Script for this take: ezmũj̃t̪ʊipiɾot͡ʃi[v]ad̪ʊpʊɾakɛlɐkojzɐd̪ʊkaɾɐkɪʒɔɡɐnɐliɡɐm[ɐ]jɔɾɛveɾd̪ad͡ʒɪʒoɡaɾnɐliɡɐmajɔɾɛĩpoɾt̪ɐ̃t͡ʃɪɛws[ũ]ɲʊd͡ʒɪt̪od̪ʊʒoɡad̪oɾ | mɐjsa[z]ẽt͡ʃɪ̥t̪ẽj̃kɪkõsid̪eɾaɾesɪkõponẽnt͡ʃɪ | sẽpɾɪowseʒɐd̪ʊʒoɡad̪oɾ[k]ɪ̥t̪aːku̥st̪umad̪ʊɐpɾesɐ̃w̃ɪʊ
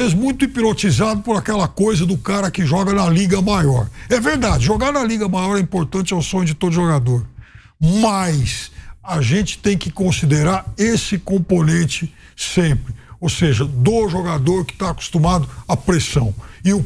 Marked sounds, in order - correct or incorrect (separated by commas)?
incorrect, incorrect, incorrect, incorrect, correct